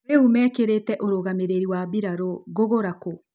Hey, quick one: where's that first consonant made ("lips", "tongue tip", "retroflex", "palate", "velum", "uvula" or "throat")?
lips